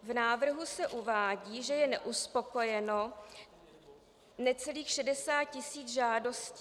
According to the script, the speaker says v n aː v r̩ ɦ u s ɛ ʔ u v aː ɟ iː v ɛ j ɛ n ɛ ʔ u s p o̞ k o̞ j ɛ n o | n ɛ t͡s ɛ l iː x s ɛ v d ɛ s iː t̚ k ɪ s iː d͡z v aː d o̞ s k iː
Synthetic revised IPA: v n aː v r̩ ɦ u s ɛ ʔ u v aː ɟ iː ʒ ɛ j ɛ n ɛ ʔ u s p o̞ k o̞ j ɛ n o | n ɛ t͡s ɛ l iː x ʃ ɛ d ɛ s aː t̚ c ɪ s iː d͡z ʒ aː d o̞ s c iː